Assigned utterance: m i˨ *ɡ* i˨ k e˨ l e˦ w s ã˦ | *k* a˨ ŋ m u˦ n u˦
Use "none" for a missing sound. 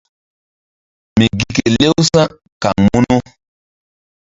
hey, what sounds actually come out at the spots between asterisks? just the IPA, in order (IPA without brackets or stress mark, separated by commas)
ɡ, k